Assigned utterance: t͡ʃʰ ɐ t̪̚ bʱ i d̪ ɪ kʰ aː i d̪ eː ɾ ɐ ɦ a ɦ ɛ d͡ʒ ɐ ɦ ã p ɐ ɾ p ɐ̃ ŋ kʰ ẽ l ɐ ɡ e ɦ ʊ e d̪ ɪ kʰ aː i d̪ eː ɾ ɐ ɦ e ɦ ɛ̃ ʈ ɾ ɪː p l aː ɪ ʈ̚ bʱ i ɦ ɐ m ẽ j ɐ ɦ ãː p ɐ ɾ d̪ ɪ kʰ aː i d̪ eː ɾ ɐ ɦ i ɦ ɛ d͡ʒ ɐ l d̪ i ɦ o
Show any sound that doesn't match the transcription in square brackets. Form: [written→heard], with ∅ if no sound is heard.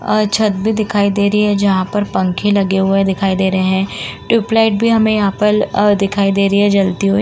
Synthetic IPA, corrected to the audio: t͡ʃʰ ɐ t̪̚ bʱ i d̪ ɪ kʰ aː i d̪ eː ɾ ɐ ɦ [a→i] ɦ ɛ d͡ʒ ɐ ɦ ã p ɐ ɾ p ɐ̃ ŋ kʰ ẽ l ɐ ɡ e ɦ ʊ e d̪ ɪ kʰ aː i d̪ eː ɾ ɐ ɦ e ɦ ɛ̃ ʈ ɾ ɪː p l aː ɪ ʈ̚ bʱ i ɦ ɐ m ẽ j ɐ ɦ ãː p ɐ ɾ d̪ ɪ kʰ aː i d̪ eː ɾ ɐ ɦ i ɦ ɛ d͡ʒ ɐ l [d̪→t̪] i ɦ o